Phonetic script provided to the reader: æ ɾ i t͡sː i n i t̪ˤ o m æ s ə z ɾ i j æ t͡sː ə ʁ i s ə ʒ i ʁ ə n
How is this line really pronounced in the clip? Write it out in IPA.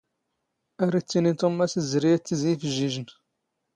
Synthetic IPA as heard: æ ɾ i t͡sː i n i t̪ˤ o m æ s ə z ɾ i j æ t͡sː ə z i f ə ʒ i ʒ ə n